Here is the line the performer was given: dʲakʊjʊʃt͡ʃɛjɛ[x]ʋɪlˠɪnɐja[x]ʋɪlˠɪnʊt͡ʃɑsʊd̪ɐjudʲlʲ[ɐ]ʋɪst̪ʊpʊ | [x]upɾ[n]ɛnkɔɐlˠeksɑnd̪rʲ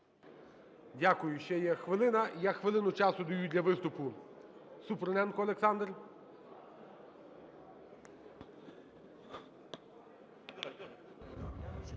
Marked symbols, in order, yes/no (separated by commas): yes, yes, yes, no, yes